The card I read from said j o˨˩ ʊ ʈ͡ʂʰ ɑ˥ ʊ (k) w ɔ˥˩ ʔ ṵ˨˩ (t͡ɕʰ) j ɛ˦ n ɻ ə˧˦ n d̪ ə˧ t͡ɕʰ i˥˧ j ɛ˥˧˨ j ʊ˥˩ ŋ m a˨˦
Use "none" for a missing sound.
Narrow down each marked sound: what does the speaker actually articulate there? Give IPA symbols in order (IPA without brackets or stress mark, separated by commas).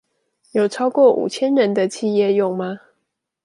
k, t͡ɕʰ